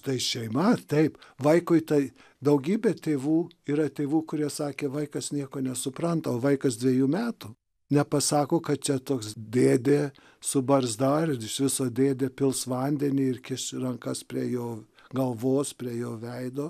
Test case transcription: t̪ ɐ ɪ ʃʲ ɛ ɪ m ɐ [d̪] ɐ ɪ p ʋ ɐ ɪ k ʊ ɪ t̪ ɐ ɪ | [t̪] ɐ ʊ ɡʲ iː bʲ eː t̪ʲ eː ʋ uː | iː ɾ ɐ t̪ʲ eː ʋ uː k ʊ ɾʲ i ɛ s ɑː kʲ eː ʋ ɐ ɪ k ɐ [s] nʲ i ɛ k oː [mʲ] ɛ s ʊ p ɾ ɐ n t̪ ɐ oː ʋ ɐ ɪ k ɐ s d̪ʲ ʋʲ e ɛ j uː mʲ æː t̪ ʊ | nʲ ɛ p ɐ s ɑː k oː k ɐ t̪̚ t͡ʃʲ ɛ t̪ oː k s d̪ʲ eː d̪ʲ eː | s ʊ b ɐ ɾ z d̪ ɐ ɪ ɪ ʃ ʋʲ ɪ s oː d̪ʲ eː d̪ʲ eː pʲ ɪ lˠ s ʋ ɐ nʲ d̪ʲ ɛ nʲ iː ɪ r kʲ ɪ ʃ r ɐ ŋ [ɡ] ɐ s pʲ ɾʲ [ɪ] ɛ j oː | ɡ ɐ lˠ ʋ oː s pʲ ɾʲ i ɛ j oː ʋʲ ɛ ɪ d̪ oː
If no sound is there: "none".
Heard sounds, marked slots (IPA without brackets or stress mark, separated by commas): t̪, d̪, s, nʲ, k, i